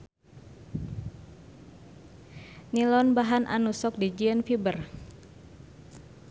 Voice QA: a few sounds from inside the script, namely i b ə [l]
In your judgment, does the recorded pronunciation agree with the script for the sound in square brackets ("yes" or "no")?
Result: no